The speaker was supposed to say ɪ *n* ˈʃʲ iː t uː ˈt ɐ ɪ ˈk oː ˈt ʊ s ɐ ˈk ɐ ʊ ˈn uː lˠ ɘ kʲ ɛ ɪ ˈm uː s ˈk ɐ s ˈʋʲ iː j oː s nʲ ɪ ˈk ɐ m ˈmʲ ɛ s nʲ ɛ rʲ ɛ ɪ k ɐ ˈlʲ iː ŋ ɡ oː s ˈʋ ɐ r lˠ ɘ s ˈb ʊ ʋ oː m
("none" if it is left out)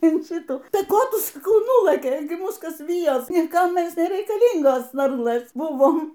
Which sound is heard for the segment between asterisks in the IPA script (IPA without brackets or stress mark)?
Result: n